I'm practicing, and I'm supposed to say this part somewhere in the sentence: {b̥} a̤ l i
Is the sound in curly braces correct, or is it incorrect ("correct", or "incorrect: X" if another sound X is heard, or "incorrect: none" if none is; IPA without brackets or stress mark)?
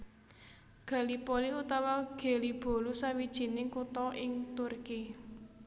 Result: incorrect: ɡ̥